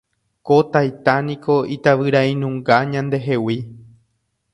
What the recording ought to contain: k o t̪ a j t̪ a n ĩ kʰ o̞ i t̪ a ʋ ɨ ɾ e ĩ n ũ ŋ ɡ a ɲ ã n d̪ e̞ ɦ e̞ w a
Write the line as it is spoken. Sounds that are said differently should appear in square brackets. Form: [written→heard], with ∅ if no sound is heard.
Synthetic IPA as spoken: k o t̪ a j t̪ a n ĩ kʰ o̞ i t̪ a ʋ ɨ ɾ [e→a] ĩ n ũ ŋ ɡ a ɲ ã n d̪ e̞ ɦ e̞ w [a→i]